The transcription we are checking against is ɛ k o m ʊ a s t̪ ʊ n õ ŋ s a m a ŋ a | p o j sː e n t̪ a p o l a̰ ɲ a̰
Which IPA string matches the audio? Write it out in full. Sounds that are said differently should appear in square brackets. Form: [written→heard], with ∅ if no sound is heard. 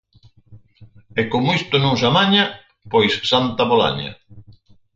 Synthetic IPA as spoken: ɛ k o m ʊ [a→i] s t̪ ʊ n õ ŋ s a m a [ŋ→ɲ] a | p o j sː [e→a] n t̪ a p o l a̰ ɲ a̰

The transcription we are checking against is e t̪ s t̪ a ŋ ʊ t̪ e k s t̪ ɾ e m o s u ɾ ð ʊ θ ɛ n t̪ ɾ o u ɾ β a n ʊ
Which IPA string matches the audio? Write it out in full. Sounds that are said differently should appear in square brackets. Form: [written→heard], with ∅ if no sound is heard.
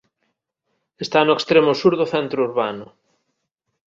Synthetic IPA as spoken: e [t̪→∅] s t̪ a [ŋ→n] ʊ [t̪→∅] e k s t̪ ɾ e m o s u ɾ ð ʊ θ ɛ n t̪ ɾ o u ɾ β a n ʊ

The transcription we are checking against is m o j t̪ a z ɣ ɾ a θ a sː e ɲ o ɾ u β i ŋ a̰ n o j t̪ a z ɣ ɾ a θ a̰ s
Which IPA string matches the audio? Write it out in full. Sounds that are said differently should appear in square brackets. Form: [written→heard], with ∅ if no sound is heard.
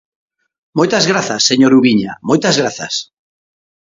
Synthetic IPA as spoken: m o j t̪ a z ɣ ɾ a θ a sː e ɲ o ɾ u β i [ŋ→ɲ] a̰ [n→m] o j t̪ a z ɣ ɾ a θ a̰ s

